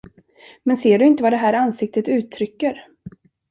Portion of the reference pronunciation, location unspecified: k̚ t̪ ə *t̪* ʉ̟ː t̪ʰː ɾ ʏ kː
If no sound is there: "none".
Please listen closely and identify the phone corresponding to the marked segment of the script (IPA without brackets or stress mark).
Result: t̪